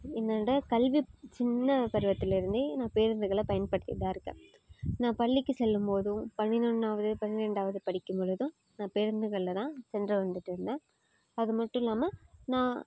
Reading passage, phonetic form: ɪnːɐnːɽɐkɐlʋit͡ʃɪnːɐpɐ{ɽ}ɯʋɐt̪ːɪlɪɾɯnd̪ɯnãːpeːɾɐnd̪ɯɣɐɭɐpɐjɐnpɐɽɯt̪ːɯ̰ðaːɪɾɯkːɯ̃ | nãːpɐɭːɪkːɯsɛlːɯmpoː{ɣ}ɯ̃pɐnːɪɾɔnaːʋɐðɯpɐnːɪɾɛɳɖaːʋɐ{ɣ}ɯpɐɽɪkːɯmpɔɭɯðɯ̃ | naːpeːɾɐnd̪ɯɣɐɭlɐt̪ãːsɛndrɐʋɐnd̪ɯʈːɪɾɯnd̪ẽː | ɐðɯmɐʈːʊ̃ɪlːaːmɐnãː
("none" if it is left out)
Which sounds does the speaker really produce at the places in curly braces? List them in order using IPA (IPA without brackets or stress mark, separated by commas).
ɾ, ð, ð